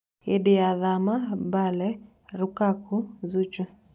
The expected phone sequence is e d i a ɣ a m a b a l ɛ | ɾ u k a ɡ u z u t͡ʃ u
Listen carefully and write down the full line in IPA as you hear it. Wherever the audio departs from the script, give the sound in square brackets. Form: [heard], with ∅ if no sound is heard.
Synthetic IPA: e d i a [ð] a m a b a l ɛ | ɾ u k a [k] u z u t͡ʃ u